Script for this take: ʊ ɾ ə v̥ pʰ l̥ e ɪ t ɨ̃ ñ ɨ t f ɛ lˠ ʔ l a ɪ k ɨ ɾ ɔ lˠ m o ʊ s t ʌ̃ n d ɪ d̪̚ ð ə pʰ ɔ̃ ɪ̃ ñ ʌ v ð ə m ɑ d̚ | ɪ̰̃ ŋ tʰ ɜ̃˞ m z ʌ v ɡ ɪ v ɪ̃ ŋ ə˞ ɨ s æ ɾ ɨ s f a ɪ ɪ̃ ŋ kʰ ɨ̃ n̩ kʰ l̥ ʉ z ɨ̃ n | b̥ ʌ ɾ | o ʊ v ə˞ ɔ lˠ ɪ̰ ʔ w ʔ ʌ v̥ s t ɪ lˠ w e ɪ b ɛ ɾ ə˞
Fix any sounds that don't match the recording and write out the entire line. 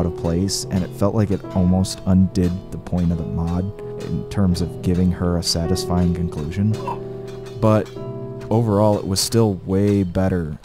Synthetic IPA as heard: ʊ ɾ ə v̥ pʰ l̥ e ɪ s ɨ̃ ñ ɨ t f ɛ lˠ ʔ l a ɪ k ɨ ɾ ɔ lˠ m o ʊ s t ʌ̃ n d ɪ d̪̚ ð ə pʰ ɔ̃ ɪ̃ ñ ʌ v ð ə m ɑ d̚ | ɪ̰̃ n tʰ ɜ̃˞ m z ʌ v ɡ ɪ v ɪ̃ ŋ ə˞ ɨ s æ ɾ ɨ s f a ɪ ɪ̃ ŋ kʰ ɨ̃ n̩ kʰ l̥ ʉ ʒ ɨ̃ n | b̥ ʌ ɾ | o ʊ v ə˞ ɔ lˠ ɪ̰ ʔ w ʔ ʌ z̥ s t ɪ lˠ w e ɪ b ɛ ɾ ə˞